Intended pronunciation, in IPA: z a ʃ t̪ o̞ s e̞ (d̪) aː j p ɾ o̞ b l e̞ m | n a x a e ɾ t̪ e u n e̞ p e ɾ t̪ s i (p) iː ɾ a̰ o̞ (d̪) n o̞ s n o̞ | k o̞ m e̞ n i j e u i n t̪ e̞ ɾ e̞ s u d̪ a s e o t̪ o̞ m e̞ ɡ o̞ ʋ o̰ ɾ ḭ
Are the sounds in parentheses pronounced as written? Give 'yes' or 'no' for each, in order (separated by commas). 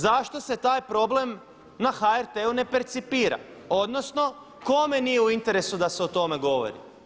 no, yes, yes